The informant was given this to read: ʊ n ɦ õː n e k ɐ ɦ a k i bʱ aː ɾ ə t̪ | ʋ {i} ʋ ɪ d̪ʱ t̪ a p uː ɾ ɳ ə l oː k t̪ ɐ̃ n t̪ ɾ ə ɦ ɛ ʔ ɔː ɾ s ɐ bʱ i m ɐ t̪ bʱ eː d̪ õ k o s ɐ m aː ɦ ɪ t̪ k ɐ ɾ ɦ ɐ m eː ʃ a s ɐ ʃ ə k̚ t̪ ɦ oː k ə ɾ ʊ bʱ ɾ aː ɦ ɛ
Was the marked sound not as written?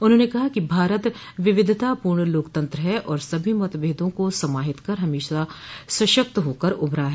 yes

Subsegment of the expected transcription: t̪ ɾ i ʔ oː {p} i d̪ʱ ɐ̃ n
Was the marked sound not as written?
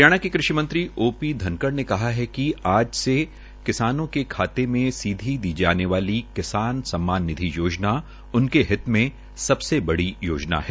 no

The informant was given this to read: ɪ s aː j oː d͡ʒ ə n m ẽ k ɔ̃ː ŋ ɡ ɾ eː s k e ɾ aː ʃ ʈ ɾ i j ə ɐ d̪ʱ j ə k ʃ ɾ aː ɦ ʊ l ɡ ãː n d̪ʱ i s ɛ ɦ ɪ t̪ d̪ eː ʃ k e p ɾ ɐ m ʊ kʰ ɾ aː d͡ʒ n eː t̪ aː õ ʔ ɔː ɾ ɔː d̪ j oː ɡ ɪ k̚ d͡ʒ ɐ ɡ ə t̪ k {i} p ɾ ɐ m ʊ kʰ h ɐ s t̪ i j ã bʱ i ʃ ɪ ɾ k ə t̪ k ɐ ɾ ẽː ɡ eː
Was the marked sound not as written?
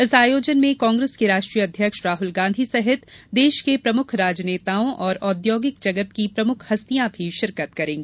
no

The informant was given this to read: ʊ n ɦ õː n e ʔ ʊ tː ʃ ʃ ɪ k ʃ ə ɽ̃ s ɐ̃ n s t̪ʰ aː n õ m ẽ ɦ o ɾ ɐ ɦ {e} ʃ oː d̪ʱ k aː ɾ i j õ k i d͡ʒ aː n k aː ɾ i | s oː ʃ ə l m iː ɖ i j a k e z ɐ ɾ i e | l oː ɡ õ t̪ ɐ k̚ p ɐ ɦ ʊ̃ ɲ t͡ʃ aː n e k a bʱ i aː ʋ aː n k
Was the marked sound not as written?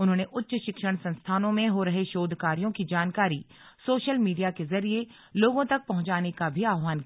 no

